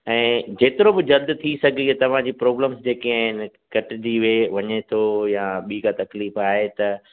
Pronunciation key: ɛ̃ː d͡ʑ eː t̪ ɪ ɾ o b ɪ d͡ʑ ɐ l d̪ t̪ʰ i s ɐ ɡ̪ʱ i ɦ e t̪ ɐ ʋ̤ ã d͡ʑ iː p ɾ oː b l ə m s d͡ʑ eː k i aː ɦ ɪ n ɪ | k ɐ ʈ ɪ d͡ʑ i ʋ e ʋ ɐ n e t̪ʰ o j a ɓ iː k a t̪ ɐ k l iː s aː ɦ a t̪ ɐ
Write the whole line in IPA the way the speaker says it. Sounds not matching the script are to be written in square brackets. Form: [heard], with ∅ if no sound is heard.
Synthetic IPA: ɛ̃ː d͡ʑ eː t̪ ɪ ɾ o b ɪ d͡ʑ ɐ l d̪ t̪ʰ i s ɐ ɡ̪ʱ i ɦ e t̪ ɐ ʋ̤ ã d͡ʑ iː p ɾ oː b l ə m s d͡ʑ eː k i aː ɦ ɪ n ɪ | k ɐ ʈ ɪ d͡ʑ i ʋ e ʋ ɐ [ɲ] e t̪ʰ o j a ɓ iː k a t̪ ɐ k l iː [f] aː ɦ [e] t̪ ɐ

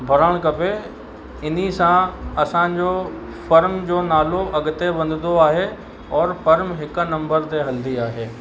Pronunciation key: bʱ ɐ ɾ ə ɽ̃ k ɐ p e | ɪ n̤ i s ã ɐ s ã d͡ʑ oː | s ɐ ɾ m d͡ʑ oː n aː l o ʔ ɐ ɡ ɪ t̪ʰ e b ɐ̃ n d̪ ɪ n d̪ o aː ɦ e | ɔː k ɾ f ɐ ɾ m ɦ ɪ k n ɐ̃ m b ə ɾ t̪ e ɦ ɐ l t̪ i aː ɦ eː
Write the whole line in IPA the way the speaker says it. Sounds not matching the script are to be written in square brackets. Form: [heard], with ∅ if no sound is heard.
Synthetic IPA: bʱ ɐ ɾ ə ɽ̃ k ɐ p e | ɪ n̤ i s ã ɐ s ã d͡ʑ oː | [f] ɐ ɾ m d͡ʑ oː n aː l o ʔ ɐ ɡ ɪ [t̪] e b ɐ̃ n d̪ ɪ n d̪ o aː ɦ e | ɔː [∅] ɾ f ɐ ɾ m ɦ ɪ k n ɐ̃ m b ə ɾ t̪ e ɦ ɐ l [d̪] i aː ɦ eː

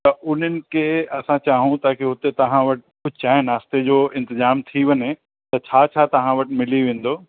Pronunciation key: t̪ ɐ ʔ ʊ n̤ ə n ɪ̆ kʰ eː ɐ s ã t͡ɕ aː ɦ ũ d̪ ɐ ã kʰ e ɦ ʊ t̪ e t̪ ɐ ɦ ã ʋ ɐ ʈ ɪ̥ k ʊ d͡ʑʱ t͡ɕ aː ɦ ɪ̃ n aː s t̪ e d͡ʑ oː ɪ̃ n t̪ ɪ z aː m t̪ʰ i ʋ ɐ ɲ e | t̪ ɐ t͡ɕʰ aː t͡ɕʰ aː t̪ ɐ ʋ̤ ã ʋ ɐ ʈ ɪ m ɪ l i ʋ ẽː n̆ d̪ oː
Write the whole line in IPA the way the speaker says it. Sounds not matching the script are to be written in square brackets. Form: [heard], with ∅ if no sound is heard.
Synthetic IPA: t̪ ɐ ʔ ʊ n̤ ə n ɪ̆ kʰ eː ɐ s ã t͡ɕ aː ɦ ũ [t̪] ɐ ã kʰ e ɦ ʊ t̪ e t̪ ɐ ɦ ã ʋ ɐ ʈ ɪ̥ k ʊ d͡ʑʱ t͡ɕ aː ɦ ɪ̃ n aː s t̪ e d͡ʑ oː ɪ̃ n t̪ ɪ z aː m t̪ʰ i ʋ ɐ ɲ e | t̪ ɐ t͡ɕʰ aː t͡ɕʰ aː t̪ ɐ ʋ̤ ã ʋ ɐ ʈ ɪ m ɪ l i ʋ ẽː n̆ d̪ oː

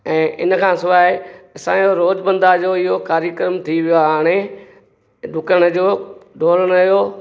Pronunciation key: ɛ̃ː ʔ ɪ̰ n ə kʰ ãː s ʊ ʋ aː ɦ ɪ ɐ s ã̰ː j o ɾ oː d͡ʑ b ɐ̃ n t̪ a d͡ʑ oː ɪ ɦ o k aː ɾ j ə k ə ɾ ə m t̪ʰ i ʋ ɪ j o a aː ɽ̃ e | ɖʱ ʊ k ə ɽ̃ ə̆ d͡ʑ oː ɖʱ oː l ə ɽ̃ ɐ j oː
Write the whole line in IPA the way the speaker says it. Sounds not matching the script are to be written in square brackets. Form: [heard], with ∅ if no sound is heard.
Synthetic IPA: ɛ̃ː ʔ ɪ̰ n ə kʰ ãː s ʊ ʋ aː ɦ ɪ ɐ s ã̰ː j o ɾ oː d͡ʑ b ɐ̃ n [d̪] a d͡ʑ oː ɪ ɦ o k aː ɾ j ə k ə ɾ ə m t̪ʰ i ʋ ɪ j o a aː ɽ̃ e | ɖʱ ʊ k ə ɽ̃ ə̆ d͡ʑ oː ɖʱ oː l ə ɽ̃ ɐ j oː

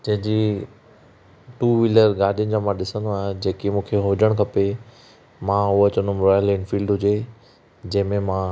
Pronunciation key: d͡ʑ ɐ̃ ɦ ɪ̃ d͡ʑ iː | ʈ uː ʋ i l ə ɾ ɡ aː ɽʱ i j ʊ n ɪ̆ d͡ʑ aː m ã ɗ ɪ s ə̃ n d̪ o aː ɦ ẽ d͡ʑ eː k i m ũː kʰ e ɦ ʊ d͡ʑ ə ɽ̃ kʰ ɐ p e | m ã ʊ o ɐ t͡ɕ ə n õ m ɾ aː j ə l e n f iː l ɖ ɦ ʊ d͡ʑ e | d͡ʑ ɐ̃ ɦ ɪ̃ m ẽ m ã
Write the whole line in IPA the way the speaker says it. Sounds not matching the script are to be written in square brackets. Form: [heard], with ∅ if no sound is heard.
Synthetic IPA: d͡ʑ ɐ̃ ɦ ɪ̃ d͡ʑ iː | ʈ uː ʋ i l ə ɾ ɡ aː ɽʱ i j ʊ n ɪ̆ d͡ʑ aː m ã ɗ ɪ s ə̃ n d̪ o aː ɦ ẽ d͡ʑ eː k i m ũː kʰ e ɦ ʊ d͡ʑ ə ɽ̃ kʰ ɐ p e | m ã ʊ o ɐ t͡ɕ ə n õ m ɾ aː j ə l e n f iː l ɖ ɦ ʊ d͡ʑ e | d͡ʑ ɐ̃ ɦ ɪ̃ m ẽ m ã

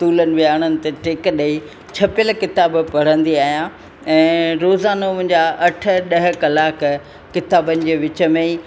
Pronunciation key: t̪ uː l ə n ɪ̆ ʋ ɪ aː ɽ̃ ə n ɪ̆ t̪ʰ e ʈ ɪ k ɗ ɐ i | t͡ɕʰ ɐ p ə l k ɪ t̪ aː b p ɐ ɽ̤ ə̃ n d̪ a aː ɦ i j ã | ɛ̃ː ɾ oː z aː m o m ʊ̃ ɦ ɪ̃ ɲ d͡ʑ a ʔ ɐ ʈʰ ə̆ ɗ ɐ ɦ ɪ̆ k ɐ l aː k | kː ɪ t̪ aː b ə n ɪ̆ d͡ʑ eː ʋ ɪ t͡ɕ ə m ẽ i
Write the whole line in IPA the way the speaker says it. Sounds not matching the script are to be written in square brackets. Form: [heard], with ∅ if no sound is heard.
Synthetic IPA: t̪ uː l ə n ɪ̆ ʋ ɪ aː ɽ̃ ə n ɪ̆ [t̪] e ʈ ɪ k ɗ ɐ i | t͡ɕʰ ɐ p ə l k ɪ t̪ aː b p ɐ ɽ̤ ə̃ n d̪ [i] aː ɦ i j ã | ɛ̃ː ɾ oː z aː [n] o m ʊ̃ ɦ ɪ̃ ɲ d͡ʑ a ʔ ɐ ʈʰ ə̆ ɗ ɐ ɦ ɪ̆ k ɐ l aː k | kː ɪ t̪ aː b ə n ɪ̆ d͡ʑ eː ʋ ɪ t͡ɕ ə m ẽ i

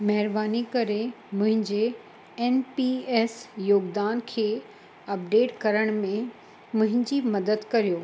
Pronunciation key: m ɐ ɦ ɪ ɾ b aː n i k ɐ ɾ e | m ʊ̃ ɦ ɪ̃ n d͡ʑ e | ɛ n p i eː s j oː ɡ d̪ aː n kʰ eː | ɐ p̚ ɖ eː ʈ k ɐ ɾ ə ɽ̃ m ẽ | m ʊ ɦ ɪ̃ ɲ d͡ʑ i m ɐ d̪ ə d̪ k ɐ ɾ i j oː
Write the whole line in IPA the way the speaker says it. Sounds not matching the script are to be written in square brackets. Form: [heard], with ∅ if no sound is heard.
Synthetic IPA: m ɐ ɦ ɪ ɾ b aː n i k ɐ ɾ e | m ʊ̃ ɦ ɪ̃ [ɲ] d͡ʑ e | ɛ n p i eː s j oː ɡ d̪ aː n kʰ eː | ɐ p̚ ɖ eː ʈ k ɐ ɾ ə ɽ̃ m ẽ | m [ʊ̃] ɦ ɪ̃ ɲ d͡ʑ i m ɐ d̪ ə d̪ k ɐ ɾ i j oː

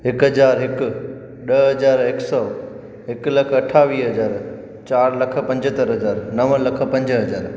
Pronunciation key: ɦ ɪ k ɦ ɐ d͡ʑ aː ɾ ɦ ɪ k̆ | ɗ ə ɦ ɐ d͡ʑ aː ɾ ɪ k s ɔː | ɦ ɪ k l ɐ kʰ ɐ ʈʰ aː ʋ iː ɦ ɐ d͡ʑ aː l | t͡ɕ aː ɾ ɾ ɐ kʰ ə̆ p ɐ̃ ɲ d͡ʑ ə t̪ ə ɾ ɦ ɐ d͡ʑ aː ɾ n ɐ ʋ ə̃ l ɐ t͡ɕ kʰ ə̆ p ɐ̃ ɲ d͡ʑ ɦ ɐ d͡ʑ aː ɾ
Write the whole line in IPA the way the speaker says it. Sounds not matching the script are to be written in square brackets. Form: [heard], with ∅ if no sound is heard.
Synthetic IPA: ɦ ɪ k ɦ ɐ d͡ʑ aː ɾ ɦ ɪ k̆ | ɗ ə ɦ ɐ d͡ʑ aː ɾ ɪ k s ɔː | ɦ ɪ k l ɐ kʰ ɐ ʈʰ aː ʋ iː ɦ ɐ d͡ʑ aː [ɾ] | t͡ɕ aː ɾ [l] ɐ kʰ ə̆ p ɐ̃ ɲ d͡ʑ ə t̪ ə ɾ ɦ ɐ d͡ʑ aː ɾ n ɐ ʋ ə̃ l ɐ [∅] kʰ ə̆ p ɐ̃ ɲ d͡ʑ ɦ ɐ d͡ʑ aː ɾ

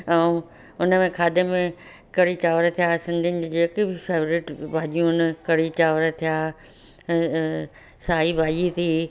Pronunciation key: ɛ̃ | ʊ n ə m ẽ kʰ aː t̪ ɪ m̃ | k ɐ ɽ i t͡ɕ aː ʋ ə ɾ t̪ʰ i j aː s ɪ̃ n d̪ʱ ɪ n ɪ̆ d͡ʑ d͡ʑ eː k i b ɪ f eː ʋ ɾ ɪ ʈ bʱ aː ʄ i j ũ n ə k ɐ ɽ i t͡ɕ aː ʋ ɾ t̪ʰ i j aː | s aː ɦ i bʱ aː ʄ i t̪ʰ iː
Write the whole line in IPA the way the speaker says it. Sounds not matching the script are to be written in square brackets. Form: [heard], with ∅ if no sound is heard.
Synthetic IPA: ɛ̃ | ʊ n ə m ẽ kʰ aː [d̪] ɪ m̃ | k ɐ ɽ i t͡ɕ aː ʋ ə ɾ t̪ʰ i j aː s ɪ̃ n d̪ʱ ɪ n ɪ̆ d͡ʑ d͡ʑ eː k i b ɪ f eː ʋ ɾ ɪ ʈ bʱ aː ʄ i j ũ n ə k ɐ ɽ i t͡ɕ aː ʋ ɾ t̪ʰ i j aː | s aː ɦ i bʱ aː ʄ i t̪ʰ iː

